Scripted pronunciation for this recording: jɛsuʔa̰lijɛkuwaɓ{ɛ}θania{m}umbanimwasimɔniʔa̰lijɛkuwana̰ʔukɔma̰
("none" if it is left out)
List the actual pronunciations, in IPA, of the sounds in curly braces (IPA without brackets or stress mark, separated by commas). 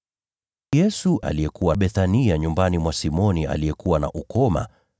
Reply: ɛ, ɲ